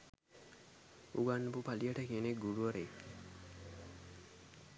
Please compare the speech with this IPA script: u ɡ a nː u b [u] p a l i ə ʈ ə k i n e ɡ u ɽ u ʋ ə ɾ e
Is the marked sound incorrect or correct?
correct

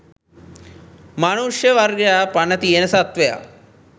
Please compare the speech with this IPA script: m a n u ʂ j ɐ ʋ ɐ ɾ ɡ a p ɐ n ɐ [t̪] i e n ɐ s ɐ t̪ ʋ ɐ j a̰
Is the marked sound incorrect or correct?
correct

